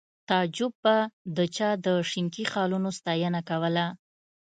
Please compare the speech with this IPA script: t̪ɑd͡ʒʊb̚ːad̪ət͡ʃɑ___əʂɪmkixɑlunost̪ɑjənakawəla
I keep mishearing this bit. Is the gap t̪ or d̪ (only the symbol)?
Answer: d̪